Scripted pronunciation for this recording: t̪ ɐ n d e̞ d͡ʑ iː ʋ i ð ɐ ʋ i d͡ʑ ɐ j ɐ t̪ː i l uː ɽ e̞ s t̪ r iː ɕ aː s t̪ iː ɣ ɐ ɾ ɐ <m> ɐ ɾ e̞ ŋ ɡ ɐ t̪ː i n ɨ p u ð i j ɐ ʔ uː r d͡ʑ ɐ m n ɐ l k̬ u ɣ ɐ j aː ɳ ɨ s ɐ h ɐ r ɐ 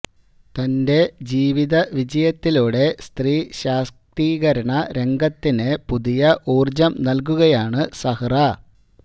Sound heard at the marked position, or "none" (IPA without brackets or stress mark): ɳ